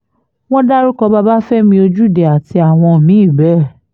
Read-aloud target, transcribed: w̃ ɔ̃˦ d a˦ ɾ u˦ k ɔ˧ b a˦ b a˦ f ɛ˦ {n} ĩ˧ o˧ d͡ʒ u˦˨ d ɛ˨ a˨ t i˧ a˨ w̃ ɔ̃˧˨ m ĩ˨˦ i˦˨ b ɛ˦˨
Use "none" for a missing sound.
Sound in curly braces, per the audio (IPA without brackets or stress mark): m